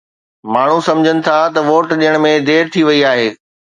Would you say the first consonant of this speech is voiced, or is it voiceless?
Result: voiced